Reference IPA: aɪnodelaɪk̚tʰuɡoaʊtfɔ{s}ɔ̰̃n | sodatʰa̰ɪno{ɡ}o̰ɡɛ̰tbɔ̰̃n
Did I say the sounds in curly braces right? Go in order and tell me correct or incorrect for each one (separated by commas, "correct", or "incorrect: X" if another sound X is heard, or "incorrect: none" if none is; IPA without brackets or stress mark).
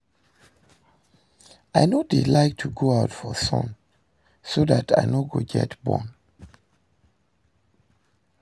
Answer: correct, correct